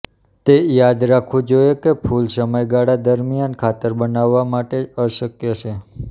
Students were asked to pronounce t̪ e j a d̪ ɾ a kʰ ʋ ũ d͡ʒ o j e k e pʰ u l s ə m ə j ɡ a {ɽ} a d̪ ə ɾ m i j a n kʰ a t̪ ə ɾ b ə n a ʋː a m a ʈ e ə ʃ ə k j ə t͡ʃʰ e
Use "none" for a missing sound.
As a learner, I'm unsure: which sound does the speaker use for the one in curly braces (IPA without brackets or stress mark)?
ɽ